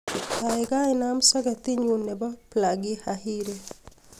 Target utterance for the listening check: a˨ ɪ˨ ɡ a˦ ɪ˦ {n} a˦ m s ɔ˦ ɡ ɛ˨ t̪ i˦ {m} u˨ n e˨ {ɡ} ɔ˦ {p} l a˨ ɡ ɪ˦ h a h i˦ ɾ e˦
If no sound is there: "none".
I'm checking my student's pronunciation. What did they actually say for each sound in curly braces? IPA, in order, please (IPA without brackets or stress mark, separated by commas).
n, ɲ, b, p